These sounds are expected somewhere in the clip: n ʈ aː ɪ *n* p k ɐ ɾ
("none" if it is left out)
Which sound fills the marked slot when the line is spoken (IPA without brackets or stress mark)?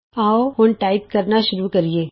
none